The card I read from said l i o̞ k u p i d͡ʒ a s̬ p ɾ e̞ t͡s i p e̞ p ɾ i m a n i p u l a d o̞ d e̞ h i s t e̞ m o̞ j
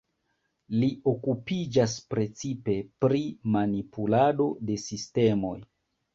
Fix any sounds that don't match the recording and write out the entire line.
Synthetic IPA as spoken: l i o̞ k u p i d͡ʒ a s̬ p ɾ e̞ t͡s i p e̞ p ɾ i m a n i p u l a d o̞ d e̞ s i s t e̞ m o̞ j